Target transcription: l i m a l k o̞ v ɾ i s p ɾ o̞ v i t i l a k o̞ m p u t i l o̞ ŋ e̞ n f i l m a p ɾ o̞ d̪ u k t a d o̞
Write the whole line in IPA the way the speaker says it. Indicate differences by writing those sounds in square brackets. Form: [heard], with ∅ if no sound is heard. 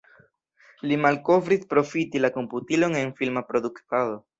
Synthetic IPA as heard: l i m a l k o̞ v ɾ i s p ɾ o̞ [f] i t i l a k o̞ m p u t i l o̞ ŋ e̞ n f i l m a p ɾ o̞ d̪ u k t a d o̞